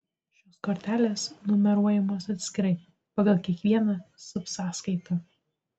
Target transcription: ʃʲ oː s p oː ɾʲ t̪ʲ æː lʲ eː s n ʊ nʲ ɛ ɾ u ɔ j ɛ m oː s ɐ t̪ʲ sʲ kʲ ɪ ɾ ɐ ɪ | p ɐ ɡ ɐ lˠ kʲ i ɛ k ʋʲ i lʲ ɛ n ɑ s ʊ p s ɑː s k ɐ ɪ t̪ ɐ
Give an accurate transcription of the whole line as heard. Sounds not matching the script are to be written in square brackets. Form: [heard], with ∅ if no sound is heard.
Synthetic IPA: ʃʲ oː s [k] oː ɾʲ t̪ʲ æː lʲ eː s n ʊ [mʲ] ɛ ɾ u ɔ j ɛ m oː s ɐ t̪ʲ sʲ kʲ ɪ ɾ ɐ ɪ | p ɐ ɡ ɐ lˠ kʲ i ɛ k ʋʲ i [∅] ɛ n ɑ s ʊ p s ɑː s k ɐ ɪ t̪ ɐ